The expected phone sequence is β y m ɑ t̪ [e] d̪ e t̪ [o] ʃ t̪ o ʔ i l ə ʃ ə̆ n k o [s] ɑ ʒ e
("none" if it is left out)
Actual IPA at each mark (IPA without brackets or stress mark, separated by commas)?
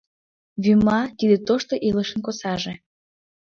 i, o, s